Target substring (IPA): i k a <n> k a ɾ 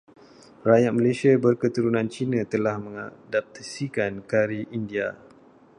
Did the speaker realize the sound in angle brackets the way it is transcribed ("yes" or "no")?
yes